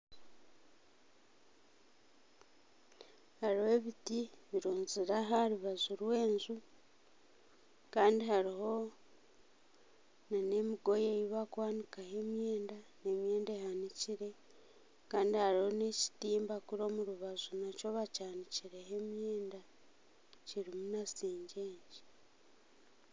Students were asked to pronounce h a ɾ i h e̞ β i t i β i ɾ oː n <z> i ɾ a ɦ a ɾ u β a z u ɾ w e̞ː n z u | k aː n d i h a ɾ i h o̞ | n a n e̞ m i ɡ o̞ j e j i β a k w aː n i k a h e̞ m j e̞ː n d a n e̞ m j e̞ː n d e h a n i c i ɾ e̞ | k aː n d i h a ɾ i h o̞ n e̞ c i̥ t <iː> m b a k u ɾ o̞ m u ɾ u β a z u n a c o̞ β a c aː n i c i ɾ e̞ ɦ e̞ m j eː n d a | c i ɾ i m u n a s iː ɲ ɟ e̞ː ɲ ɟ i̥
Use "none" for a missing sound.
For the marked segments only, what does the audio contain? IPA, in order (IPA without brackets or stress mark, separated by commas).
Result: z, iː